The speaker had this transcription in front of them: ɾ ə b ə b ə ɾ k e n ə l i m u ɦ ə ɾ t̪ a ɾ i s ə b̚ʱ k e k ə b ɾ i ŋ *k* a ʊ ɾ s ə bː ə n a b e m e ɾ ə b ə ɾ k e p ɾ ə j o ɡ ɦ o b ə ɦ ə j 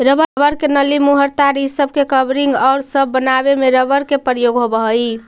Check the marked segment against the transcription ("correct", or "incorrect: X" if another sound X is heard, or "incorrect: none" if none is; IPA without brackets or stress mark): incorrect: ɡ